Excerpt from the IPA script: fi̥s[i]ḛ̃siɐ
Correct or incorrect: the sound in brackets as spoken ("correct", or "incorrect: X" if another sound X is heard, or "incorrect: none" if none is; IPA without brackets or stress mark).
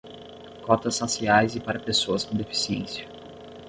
correct